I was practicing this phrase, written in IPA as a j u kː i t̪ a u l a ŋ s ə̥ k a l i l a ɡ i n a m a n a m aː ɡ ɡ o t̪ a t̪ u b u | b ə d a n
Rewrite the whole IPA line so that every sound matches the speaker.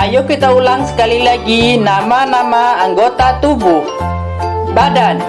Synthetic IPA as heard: a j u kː i t̪ a u l a ŋ s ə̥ k a l i l a ɡ i n a m a n a m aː ŋ ɡ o t̪ a t̪ u b u | b a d a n